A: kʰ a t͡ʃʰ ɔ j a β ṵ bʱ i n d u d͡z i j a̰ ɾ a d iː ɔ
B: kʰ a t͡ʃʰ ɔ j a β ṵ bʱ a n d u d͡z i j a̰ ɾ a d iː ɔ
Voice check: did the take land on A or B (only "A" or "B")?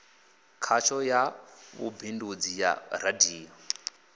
A